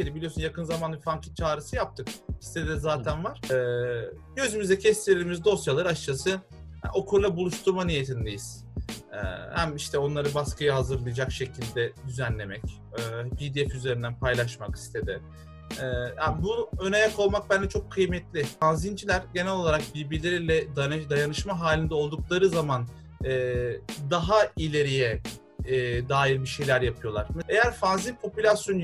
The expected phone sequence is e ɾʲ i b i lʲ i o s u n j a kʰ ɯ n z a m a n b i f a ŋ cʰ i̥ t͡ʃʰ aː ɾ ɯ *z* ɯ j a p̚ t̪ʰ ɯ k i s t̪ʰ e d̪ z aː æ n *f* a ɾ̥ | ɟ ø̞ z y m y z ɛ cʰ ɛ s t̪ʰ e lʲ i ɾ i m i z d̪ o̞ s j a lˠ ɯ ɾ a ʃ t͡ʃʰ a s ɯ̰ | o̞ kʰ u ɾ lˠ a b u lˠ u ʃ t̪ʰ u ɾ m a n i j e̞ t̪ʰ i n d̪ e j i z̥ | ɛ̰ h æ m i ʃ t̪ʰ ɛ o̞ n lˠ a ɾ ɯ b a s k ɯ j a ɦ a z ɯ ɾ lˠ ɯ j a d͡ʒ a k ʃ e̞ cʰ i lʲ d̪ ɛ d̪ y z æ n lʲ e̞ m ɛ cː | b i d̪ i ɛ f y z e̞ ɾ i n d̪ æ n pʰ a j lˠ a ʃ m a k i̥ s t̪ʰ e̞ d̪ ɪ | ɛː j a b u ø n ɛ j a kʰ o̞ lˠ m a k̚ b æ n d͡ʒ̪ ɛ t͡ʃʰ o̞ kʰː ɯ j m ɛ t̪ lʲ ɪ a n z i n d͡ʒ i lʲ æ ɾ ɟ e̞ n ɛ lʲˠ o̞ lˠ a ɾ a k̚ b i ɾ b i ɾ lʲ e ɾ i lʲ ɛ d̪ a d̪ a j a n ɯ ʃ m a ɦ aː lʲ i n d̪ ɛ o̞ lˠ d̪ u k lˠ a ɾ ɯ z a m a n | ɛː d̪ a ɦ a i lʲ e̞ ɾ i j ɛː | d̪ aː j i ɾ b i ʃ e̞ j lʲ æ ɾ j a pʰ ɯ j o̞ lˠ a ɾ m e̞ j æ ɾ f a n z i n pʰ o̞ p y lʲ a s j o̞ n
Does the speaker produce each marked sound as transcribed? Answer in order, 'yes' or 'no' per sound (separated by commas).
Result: no, no